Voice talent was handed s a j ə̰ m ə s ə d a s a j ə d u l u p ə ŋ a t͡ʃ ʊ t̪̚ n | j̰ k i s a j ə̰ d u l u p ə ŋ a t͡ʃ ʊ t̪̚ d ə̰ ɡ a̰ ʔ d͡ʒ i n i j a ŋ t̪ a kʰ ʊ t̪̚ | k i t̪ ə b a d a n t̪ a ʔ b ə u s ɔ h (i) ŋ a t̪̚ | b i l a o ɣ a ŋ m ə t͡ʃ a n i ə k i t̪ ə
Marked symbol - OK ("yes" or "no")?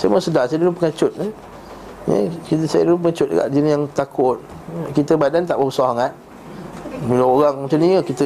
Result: no